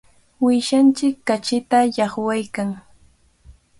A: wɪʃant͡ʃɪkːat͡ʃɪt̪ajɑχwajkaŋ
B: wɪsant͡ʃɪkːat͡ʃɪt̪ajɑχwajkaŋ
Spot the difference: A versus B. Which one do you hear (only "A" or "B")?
A